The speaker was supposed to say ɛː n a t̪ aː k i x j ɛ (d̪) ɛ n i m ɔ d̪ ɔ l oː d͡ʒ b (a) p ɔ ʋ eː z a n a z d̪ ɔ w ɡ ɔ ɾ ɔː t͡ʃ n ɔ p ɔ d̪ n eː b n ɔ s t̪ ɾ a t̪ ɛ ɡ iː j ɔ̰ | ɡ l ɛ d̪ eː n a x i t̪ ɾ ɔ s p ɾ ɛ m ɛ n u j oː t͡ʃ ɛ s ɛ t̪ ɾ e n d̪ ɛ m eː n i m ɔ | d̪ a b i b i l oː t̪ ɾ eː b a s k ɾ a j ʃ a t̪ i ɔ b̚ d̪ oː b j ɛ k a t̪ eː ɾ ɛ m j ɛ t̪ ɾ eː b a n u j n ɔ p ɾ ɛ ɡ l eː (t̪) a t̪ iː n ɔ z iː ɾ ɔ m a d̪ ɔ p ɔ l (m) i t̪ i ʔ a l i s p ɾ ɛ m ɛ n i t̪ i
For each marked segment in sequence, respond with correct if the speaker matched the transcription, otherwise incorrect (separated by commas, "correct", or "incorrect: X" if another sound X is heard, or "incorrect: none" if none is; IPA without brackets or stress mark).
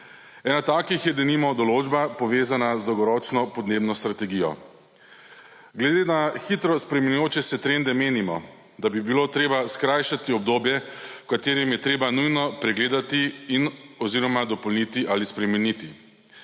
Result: correct, correct, incorrect: d̪, incorrect: n